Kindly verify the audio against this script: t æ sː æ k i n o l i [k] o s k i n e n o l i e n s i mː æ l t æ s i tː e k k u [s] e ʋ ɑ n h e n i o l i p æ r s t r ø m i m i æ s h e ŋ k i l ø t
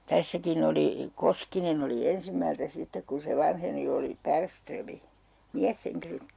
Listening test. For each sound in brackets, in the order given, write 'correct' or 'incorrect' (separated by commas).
correct, correct